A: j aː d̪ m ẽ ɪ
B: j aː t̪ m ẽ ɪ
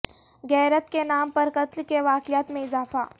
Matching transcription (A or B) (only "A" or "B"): B